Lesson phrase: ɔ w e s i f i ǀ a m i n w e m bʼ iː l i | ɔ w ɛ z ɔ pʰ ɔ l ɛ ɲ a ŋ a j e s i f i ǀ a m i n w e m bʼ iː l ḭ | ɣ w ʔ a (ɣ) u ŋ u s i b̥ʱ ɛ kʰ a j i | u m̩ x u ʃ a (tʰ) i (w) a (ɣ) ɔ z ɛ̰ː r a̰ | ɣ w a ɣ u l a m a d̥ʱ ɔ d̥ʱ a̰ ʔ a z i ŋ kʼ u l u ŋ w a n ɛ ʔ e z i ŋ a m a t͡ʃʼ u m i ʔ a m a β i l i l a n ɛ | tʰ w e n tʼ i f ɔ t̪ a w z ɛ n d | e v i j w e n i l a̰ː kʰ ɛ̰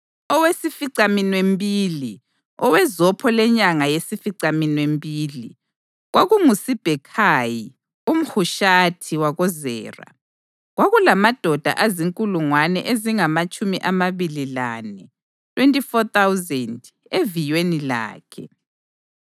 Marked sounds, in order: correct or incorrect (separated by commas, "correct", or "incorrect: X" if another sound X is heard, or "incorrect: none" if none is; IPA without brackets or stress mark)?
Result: correct, correct, correct, correct